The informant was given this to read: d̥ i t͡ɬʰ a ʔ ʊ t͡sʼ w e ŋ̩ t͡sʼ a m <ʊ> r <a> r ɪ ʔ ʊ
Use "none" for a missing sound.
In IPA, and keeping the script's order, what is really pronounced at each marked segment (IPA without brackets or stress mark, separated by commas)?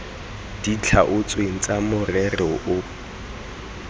ʊ, ɛ